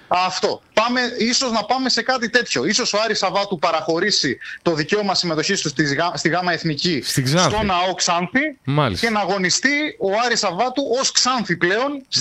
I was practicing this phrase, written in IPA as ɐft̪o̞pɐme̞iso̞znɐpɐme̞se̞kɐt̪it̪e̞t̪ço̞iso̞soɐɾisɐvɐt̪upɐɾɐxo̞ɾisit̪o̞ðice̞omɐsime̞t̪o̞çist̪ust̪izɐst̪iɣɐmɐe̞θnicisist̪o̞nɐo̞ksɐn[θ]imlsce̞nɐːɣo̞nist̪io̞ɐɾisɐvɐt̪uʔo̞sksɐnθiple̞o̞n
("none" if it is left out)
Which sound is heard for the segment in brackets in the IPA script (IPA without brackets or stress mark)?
θ